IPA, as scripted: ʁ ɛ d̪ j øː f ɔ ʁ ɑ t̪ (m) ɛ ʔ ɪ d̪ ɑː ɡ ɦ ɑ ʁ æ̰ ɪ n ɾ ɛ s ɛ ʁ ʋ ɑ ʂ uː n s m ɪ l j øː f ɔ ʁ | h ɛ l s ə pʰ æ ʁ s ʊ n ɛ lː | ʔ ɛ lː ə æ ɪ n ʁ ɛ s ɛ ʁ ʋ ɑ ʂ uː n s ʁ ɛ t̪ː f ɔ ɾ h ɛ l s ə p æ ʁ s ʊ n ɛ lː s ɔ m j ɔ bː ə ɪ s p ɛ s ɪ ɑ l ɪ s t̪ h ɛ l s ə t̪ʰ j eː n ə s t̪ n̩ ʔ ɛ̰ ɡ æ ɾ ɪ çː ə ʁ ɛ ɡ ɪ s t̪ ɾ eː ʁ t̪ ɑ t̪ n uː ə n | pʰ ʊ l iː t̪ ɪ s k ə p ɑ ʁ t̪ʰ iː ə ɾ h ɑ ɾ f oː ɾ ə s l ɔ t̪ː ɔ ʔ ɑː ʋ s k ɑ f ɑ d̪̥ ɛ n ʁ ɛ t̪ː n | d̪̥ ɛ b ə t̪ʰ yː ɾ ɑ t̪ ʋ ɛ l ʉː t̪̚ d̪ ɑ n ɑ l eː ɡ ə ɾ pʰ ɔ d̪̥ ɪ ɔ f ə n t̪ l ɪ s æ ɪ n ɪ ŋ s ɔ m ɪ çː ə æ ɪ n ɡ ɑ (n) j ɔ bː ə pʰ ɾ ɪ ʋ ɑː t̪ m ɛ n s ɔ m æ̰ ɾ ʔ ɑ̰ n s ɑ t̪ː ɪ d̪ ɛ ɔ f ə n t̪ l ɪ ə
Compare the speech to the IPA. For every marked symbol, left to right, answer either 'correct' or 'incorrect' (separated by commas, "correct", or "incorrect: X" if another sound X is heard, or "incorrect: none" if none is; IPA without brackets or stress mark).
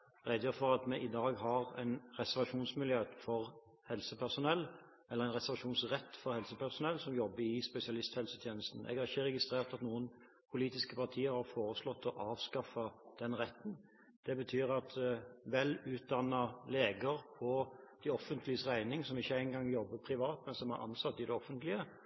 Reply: correct, incorrect: ŋ